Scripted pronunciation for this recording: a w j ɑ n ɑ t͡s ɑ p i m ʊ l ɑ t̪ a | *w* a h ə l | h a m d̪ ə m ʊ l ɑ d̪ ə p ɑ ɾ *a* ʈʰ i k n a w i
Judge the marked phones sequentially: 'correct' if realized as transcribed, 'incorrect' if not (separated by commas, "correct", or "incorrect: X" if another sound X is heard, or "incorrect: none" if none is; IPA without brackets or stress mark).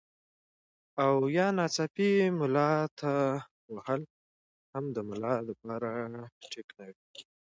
correct, correct